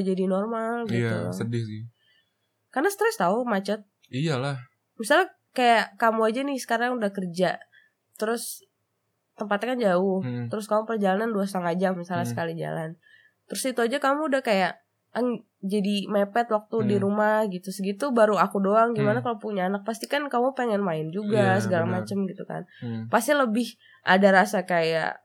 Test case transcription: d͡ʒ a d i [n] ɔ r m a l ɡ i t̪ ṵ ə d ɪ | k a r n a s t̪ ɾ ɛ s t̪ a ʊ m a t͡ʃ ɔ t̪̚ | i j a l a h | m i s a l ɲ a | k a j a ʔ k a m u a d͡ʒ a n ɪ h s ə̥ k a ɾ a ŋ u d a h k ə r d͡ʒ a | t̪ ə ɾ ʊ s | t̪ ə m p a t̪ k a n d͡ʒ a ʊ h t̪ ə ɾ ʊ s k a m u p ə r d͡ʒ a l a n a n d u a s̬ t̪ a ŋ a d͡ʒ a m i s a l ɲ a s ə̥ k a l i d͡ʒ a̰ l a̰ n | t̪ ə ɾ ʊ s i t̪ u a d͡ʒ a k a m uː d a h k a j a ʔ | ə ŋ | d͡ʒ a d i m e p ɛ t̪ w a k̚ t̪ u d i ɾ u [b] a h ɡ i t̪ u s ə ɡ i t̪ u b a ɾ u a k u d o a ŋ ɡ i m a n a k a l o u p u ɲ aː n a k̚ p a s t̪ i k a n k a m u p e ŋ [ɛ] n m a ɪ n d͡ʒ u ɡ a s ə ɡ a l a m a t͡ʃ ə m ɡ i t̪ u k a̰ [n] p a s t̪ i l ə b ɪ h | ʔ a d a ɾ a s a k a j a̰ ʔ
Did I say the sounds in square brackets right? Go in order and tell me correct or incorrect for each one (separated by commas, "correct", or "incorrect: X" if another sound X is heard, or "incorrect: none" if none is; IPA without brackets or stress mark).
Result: correct, incorrect: m, correct, correct